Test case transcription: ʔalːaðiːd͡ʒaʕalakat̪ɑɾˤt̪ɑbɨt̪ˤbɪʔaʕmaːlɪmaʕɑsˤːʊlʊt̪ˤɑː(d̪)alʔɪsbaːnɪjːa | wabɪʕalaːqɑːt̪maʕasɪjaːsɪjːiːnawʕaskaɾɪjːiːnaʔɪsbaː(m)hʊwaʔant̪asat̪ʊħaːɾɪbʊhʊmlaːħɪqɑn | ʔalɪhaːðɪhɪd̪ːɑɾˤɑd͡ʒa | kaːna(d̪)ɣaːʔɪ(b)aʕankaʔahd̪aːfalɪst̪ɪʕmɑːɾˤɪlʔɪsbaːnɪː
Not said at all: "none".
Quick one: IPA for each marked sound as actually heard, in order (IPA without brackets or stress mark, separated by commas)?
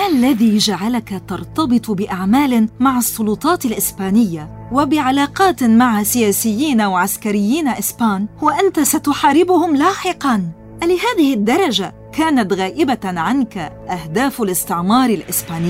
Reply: t̪, n, t̪, b